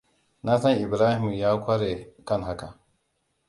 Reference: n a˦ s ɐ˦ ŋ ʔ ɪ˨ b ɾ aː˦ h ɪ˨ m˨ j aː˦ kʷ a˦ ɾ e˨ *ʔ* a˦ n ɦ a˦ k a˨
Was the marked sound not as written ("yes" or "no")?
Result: yes